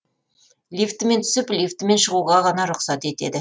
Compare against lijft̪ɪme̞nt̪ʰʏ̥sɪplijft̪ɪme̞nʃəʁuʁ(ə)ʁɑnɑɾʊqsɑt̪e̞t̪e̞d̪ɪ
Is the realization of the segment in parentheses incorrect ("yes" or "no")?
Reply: yes